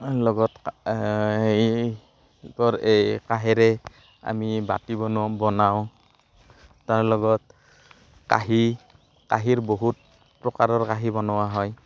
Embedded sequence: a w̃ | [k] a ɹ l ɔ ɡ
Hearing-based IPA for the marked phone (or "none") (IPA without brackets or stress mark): t